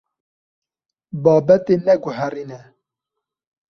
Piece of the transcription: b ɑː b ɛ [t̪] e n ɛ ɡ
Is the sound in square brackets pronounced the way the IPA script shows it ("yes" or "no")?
yes